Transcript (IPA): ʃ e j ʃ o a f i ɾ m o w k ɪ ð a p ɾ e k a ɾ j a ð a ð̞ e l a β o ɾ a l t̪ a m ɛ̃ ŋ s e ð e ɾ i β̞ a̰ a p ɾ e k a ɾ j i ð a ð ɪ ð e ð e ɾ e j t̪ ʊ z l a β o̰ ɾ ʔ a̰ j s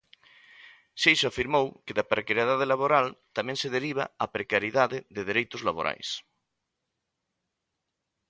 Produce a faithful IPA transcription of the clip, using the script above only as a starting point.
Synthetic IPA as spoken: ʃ e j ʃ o a f i ɾ m o w k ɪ ð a p ɾ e k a ɾ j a ð a ð̞ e l a β o ɾ a l t̪ a m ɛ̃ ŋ s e ð e ɾ i β̞ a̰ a p ɾ e k a ɾ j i ð a ð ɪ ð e ð e ɾ e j t̪ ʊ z l a β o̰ ɾ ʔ a̰ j s